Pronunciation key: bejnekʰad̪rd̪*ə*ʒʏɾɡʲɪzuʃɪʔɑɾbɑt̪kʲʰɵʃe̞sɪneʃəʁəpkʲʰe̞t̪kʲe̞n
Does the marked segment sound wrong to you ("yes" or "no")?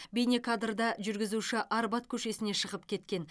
yes